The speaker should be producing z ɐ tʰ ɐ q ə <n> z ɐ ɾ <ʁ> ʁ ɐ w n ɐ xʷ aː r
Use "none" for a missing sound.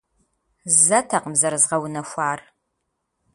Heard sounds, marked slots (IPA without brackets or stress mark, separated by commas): m, z